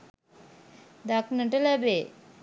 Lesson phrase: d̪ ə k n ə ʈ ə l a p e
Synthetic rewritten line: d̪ a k n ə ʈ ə l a b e